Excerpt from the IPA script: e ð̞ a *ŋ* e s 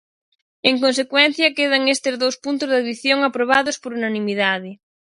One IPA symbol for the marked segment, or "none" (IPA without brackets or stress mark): ŋ